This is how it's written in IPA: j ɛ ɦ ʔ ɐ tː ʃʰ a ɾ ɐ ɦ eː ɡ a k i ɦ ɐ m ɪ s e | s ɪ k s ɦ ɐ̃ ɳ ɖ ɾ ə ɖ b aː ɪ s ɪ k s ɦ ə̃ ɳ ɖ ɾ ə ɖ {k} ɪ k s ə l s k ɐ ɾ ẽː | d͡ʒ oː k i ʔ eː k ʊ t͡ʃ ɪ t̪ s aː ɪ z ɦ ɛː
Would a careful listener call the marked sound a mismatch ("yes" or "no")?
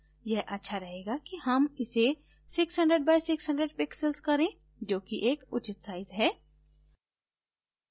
yes